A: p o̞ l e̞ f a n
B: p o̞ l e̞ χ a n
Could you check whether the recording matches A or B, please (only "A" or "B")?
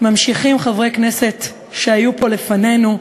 A